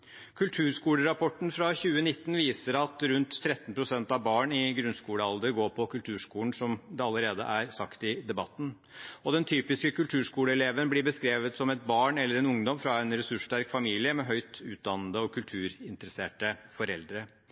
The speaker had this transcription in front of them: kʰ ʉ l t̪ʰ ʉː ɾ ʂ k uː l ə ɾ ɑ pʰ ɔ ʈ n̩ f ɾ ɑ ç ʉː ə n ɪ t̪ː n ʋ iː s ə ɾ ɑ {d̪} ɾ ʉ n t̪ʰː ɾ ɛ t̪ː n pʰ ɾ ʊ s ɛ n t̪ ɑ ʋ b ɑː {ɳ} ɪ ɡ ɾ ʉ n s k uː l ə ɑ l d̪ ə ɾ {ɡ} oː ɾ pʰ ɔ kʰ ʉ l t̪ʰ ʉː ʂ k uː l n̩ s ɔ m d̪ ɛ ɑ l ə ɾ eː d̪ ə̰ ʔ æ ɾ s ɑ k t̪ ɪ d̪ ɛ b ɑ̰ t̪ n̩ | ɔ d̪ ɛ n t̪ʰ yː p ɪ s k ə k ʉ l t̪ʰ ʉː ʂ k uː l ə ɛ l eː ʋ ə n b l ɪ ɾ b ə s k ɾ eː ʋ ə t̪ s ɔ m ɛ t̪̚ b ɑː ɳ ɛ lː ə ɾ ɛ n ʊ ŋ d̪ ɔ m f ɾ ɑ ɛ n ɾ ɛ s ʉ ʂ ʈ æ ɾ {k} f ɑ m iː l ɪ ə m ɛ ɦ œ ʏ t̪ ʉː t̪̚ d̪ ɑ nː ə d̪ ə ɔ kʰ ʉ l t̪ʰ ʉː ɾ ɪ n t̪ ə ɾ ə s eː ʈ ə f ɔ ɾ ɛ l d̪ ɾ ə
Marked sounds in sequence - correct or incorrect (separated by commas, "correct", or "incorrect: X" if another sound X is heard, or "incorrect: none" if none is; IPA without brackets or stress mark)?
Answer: incorrect: t̪, correct, correct, correct